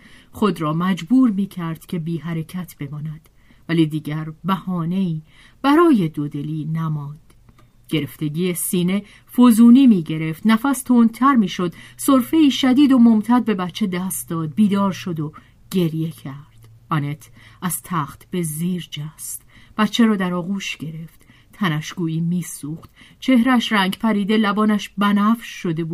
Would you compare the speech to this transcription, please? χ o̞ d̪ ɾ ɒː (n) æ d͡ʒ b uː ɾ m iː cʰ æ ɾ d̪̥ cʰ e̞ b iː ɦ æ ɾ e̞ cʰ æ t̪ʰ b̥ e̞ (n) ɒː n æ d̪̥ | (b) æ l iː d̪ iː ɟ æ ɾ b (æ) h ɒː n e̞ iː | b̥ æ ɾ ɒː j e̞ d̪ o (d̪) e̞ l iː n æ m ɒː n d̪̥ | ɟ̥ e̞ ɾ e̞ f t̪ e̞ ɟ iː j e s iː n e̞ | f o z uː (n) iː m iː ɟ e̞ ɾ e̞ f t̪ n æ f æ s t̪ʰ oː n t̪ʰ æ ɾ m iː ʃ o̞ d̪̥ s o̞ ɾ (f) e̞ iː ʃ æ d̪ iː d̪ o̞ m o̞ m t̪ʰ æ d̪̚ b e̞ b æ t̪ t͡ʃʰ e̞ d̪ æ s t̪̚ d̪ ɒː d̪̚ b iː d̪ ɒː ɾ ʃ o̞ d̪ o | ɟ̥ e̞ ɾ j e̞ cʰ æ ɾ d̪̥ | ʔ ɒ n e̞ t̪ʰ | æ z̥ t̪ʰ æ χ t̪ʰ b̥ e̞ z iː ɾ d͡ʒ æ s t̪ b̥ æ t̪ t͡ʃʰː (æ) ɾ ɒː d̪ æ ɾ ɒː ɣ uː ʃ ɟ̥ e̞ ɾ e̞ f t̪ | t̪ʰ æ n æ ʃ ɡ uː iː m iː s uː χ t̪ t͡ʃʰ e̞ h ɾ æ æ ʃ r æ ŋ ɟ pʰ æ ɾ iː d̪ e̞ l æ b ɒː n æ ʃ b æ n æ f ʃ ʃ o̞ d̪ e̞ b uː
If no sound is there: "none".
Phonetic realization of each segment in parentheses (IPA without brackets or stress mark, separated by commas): m, m, v, æ, d̪, n, f, e